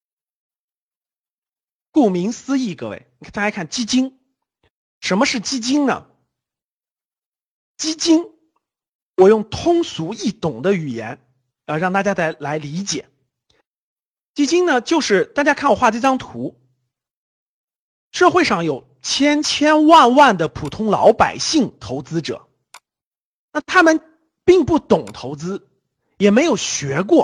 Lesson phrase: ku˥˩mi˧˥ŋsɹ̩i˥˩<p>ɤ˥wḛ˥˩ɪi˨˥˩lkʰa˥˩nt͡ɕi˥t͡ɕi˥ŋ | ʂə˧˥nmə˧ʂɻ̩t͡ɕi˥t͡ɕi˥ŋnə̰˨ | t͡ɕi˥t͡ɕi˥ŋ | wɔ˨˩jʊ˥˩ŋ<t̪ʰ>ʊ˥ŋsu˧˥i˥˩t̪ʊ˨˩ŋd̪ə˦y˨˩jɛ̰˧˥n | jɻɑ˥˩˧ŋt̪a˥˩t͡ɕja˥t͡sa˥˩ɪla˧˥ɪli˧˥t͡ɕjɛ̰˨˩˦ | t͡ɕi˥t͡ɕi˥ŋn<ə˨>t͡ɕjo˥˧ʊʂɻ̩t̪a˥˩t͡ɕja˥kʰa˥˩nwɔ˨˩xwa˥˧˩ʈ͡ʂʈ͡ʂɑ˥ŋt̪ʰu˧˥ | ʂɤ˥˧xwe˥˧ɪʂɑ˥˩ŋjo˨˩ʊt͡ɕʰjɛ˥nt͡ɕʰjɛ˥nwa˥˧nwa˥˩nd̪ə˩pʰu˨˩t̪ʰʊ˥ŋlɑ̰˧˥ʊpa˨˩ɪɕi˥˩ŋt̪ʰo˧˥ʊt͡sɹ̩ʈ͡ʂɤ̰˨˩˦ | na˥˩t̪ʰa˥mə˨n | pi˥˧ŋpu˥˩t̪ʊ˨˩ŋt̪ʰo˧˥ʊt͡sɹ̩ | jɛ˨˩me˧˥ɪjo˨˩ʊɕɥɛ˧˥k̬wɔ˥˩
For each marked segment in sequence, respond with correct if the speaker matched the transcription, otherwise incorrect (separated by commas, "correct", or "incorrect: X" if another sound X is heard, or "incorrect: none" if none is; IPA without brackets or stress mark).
incorrect: k, correct, correct